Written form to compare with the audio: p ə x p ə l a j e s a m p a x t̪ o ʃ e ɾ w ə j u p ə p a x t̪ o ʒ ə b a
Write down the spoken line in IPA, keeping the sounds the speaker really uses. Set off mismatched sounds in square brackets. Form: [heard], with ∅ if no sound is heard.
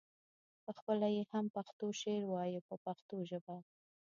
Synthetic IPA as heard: p ə x p ə l a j e [h] a m p a x t̪ o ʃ e ɾ w [ɑ] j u p ə p a x t̪ o ʒ ə b a